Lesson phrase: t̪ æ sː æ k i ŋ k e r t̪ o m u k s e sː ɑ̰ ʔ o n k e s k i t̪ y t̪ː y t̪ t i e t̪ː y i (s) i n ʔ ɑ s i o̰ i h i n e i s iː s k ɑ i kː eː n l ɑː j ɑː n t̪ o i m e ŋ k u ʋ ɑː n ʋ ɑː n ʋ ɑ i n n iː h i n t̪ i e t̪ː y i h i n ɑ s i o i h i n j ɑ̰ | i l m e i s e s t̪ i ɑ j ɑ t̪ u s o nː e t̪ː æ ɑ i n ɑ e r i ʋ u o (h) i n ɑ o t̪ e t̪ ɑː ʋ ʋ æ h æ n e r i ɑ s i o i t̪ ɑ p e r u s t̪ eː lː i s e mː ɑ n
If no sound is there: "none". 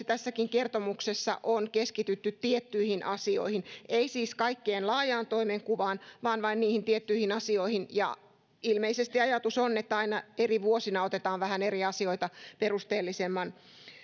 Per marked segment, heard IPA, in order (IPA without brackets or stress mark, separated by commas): h, s